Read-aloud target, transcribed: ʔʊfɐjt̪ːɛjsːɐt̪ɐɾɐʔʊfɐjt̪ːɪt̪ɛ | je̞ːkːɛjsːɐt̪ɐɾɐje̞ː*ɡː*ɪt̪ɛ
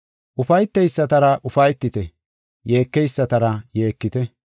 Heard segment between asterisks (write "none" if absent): kː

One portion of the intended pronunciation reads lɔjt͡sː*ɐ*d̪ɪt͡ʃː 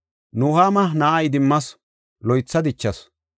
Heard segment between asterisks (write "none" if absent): ɐ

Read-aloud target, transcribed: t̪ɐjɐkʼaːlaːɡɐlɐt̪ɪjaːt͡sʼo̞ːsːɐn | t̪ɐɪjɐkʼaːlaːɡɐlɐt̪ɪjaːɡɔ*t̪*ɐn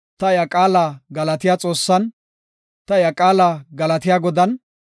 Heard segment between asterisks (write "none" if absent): d̪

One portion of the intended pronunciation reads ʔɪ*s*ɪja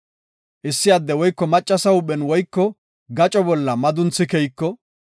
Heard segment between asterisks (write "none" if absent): sː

